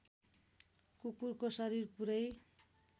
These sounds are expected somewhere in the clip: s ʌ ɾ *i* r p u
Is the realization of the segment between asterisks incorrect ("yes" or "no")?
no